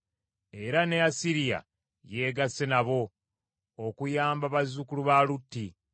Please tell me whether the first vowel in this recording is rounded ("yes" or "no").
no